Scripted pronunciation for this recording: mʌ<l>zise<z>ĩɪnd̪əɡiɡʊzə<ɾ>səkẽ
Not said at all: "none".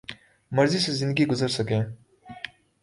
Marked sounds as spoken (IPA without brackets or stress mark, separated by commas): ɾ, z, ɾ